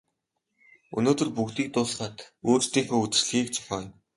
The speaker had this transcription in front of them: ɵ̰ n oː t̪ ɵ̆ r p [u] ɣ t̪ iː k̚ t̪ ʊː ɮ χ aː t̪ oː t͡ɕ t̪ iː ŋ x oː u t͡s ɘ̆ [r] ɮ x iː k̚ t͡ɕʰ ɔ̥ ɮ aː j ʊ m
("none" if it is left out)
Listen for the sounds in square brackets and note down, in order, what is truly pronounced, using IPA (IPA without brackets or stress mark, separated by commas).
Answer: u, r